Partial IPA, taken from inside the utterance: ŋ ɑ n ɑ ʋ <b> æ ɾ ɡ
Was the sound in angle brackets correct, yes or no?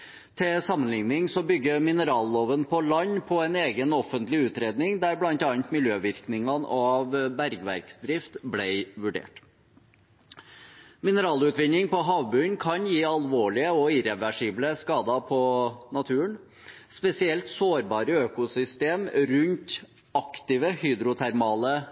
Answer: yes